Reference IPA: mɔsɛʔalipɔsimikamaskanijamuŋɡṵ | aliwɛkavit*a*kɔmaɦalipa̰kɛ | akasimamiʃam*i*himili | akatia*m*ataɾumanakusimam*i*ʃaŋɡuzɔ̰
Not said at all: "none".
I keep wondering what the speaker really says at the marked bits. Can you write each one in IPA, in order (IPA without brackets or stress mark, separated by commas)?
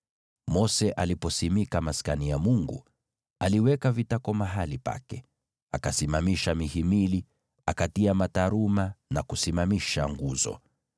a, i, m, i